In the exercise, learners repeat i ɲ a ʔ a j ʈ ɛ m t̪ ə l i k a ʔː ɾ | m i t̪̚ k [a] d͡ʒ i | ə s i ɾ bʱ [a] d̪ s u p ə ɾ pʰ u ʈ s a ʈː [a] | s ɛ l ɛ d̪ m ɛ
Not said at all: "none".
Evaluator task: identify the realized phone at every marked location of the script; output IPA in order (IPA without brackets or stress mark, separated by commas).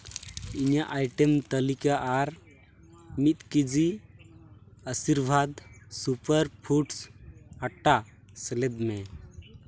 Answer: i, a, a